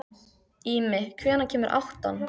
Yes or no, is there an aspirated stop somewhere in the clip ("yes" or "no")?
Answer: yes